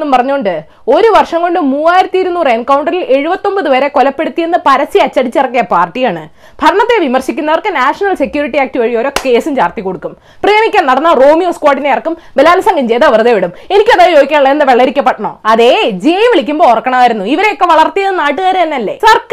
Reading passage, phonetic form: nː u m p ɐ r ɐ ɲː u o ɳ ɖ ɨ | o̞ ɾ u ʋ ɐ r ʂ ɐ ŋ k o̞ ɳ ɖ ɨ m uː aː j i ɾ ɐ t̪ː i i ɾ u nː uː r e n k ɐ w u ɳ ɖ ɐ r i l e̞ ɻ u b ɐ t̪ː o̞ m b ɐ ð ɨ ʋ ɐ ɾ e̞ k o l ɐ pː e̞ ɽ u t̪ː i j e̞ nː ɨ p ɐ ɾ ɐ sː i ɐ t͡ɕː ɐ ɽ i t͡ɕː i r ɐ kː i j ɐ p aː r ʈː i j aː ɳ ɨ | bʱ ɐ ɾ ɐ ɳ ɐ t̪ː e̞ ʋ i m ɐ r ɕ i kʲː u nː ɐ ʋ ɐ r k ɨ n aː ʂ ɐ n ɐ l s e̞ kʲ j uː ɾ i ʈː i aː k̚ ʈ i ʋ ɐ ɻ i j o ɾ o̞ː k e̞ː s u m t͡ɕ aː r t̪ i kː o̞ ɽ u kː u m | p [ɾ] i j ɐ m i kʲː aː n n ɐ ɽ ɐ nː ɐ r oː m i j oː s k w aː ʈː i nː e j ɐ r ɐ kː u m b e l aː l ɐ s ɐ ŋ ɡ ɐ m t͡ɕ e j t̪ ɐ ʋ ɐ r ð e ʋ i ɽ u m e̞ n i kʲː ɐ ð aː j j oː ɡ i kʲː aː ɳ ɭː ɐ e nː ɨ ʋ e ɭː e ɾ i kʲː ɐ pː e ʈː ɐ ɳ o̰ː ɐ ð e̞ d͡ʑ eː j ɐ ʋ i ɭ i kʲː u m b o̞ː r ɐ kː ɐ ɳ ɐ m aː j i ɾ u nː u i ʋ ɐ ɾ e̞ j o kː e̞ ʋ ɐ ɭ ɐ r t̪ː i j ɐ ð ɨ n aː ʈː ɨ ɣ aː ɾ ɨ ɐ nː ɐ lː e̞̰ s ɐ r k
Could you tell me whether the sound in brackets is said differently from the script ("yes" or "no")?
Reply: yes